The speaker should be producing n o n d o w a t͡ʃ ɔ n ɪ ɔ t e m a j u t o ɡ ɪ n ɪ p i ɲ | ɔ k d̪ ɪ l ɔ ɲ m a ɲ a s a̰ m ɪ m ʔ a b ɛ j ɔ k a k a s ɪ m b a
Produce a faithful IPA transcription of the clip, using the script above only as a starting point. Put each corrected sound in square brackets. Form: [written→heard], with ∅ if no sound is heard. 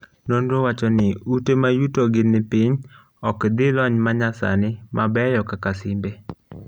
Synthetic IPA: n o n d o w a t͡ʃ ɔ n ɪ [ɔ→u] t e m a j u t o ɡ ɪ n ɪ p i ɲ | ɔ k d̪ ɪ l ɔ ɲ m a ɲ a s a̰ [m→n] ɪ m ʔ a b ɛ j ɔ k a k a s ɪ m b [a→e]